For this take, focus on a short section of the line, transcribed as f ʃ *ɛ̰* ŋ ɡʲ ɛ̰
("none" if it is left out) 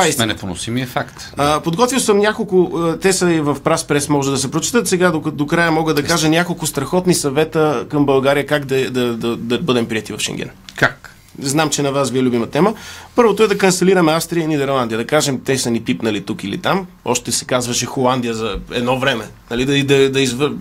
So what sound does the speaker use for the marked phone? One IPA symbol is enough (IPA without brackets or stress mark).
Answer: ɛ̰